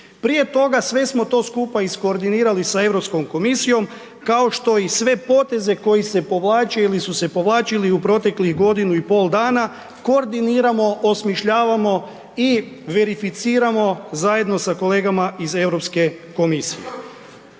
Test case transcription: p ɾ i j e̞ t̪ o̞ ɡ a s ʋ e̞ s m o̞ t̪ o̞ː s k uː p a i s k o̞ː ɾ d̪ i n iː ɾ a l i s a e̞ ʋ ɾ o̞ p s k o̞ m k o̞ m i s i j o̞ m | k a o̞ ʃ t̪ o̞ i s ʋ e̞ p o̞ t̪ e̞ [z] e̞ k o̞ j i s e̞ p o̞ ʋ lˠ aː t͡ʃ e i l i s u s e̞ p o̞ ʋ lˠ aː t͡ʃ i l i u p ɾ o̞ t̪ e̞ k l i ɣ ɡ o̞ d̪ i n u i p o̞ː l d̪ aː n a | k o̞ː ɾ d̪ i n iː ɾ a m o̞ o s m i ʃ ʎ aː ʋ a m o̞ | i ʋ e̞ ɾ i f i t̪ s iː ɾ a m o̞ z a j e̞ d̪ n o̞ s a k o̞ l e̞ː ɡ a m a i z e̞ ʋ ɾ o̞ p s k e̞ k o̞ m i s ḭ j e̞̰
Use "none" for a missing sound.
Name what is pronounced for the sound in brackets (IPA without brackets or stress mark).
z